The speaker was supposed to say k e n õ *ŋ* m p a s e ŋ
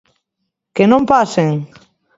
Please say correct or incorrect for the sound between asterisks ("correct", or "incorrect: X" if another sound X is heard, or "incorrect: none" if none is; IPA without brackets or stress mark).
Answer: incorrect: none